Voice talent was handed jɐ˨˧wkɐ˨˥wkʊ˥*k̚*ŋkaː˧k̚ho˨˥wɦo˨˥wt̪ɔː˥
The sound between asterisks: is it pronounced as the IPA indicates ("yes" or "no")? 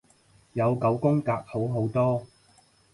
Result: no